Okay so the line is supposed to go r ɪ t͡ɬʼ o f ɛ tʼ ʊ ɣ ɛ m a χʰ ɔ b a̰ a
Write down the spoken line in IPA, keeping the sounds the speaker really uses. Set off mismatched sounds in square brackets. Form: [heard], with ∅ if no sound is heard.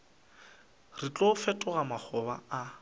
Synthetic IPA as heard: r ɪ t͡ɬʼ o f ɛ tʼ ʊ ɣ [a] m a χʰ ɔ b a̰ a